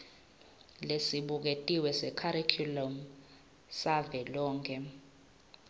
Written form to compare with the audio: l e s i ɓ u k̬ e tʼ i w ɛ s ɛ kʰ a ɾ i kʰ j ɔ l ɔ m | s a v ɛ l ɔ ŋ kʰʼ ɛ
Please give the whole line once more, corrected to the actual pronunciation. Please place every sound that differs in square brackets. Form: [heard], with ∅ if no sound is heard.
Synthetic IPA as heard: l e s i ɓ u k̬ e tʼ i w ɛ s ɛ kʰ a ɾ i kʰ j [u] l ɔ m | s a v ɛ l [ɔː] ŋ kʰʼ ɛ